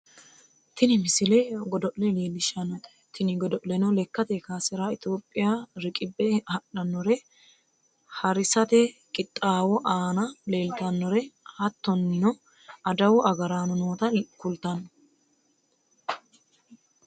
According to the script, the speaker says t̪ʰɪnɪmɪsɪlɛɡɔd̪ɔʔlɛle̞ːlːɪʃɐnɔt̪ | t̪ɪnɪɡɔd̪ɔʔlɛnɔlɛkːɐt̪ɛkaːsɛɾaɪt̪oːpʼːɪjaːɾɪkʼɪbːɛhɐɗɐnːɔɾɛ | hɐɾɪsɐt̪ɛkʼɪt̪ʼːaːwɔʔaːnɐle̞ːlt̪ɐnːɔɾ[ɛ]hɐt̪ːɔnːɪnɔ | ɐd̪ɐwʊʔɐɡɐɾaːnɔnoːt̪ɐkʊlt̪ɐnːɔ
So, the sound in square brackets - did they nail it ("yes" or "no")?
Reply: yes